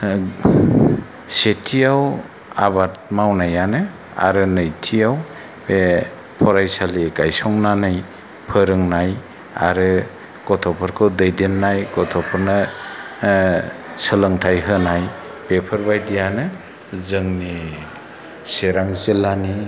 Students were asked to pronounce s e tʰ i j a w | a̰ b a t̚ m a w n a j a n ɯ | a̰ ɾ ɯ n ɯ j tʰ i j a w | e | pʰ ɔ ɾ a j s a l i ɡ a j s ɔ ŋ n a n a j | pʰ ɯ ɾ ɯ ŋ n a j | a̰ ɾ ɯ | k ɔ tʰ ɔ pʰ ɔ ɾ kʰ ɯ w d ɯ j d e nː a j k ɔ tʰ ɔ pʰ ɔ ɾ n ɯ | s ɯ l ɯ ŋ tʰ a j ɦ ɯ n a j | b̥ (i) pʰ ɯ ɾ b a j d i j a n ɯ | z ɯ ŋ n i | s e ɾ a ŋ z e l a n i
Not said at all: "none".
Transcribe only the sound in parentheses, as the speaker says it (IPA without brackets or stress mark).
e